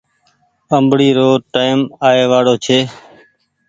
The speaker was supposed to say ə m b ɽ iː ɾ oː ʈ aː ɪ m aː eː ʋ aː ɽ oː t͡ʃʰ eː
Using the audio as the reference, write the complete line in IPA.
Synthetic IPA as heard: ə m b ɽ iː ɾ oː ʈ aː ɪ m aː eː ʋ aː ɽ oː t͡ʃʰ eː